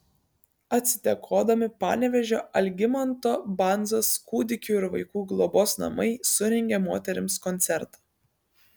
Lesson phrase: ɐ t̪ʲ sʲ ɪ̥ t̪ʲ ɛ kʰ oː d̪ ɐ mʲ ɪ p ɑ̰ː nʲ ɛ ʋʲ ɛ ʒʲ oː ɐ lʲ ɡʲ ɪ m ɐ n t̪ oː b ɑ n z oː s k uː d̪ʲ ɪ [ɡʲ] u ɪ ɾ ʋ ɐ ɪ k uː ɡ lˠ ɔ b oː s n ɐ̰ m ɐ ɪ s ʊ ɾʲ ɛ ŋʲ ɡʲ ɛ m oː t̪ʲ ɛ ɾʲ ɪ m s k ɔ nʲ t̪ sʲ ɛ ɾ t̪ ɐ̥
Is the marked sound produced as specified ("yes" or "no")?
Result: no